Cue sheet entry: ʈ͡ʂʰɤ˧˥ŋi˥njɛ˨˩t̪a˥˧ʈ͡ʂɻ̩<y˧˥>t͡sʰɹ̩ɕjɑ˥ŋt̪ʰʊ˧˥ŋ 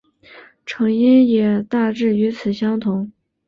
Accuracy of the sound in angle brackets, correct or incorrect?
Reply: correct